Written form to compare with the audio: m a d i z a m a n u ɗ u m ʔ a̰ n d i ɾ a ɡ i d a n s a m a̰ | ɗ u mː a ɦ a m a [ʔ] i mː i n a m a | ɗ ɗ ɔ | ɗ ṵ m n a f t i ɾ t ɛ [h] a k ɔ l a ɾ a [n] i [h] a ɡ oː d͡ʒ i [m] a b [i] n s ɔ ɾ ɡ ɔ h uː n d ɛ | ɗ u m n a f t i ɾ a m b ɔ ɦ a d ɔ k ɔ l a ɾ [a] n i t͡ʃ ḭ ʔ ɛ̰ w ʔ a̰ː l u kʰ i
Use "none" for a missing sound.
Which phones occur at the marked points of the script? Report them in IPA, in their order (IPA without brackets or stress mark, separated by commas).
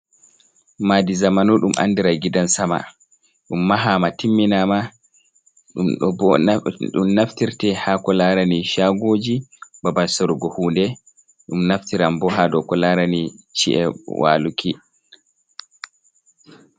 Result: t, h, n, ʃ, b, a, a